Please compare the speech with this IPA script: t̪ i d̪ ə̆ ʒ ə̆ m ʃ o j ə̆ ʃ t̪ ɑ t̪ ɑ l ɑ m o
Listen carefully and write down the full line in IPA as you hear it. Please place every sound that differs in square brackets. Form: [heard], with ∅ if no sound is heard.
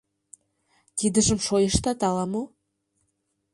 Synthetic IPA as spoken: t̪ i d̪ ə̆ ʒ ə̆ m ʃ o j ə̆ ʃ t̪ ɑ t̪ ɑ l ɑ m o

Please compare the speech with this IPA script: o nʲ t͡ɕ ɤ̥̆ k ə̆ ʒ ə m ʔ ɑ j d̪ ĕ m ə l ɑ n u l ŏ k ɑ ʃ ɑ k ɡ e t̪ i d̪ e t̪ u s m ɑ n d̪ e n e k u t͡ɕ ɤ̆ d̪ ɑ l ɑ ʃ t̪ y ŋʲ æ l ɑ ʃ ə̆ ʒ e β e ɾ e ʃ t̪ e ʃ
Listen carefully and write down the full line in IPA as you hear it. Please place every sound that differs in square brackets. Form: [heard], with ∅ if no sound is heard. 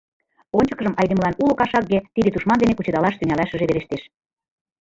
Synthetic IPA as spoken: o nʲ t͡ɕ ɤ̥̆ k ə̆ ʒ ə m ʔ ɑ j d̪ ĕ m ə l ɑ n u l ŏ k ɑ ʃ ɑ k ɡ e t̪ i d̪ e t̪ u [ʃ] m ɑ n d̪ e n e k u t͡ɕ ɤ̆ d̪ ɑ l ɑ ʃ t̪ y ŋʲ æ l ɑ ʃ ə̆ ʒ e β e ɾ e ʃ t̪ e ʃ

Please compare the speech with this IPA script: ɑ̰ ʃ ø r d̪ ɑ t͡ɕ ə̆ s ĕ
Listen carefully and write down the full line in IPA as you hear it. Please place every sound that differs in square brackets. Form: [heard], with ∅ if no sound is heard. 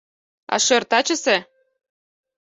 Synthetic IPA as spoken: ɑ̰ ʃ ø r [t̪] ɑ t͡ɕ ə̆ s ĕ

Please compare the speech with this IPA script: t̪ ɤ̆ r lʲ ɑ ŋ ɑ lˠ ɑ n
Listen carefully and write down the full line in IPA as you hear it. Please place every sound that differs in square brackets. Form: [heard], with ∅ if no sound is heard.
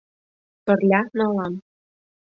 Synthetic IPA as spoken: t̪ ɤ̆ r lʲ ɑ [n] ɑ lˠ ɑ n

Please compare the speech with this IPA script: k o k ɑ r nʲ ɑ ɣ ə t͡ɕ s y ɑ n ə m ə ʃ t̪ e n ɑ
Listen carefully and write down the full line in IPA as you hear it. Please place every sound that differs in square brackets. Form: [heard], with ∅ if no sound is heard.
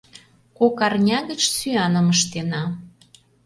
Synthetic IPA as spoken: k o k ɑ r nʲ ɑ ɣ ə t͡ɕ s y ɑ n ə m ə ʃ t̪ e n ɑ

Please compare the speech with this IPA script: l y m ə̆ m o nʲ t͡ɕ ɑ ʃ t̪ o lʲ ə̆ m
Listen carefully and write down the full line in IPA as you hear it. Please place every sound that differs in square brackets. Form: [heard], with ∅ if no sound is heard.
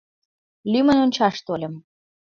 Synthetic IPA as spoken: l y m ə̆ [n] o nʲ t͡ɕ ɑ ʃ t̪ o lʲ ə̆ m

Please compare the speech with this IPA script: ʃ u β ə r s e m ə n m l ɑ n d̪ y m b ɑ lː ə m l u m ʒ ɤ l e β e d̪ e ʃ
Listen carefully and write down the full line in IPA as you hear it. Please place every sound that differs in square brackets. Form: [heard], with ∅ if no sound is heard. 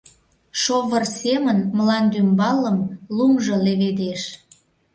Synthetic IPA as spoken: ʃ [o] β ə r s e m ə n m l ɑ n d̪ y m b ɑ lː ə m l u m ʒ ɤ l e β e d̪ e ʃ

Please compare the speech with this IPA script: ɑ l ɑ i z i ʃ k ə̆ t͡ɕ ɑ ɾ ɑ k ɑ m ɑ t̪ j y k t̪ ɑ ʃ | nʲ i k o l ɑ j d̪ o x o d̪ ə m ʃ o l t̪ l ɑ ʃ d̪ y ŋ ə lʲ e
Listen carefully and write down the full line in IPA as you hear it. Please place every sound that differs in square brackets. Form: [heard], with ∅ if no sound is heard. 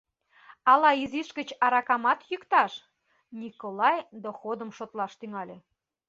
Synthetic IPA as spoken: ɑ l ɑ i z i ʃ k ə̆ t͡ɕ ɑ ɾ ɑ k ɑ m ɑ t̪ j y k t̪ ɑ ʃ | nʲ i k o l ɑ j d̪ o x o d̪ ə m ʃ o [∅] t̪ l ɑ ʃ [t̪] y ŋ [ɑ] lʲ e

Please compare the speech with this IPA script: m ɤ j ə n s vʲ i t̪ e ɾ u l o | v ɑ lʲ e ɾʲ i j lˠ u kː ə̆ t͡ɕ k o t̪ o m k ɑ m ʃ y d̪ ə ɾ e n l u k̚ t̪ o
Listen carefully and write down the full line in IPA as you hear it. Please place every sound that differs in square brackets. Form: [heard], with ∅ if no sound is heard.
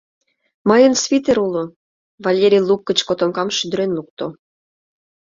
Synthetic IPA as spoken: m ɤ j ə n s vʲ i t̪ e ɾ u l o | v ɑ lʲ e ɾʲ i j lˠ u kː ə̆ t͡ɕ k o t̪ o m k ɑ m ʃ y d̪ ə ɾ e n l u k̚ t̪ o

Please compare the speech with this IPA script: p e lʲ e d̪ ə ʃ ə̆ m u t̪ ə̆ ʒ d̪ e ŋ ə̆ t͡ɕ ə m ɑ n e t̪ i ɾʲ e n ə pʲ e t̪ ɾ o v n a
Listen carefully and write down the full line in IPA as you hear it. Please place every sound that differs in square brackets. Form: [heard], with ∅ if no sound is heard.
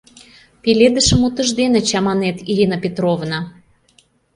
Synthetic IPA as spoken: p e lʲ e d̪ ə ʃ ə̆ m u t̪ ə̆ ʒ d̪ e [n] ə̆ t͡ɕ [ɑ] m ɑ n e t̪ i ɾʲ [i] n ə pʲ e t̪ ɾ o v n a

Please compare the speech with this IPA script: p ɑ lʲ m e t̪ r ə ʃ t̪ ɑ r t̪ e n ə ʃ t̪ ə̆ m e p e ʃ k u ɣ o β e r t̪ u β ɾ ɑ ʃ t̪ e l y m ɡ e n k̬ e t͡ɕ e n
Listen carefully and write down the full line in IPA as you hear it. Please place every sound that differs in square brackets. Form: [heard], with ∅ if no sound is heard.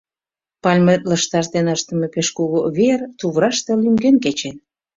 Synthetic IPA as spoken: p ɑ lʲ m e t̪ [l] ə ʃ t̪ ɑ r t̪ e n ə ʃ t̪ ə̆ m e p e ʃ k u ɣ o β e r t̪ u β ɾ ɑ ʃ t̪ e l y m ɡ e n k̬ e t͡ɕ e n

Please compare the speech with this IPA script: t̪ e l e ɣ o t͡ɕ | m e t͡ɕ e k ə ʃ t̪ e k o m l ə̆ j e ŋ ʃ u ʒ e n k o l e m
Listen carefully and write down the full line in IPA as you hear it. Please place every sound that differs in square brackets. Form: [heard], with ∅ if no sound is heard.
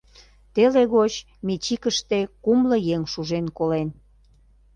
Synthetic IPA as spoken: t̪ e l e ɣ o t͡ɕ | m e t͡ɕ [i] k ə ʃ t̪ e k [u] m l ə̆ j e ŋ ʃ u ʒ e n k o l e [n]

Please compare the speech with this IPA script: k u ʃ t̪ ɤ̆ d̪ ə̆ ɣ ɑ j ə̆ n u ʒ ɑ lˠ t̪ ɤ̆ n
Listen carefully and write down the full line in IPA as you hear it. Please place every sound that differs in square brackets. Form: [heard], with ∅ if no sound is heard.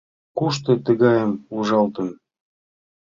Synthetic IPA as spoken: k u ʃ t̪ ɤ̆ [t̪] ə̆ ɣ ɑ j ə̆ [m] u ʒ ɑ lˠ t̪ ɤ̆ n

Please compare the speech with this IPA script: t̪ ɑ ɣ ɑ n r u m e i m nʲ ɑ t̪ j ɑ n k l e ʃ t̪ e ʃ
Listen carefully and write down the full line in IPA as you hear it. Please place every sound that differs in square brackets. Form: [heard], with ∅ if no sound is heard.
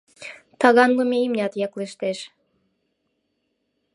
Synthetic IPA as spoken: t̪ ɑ ɣ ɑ n [l] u m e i m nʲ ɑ t̪ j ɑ [∅] k l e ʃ t̪ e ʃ

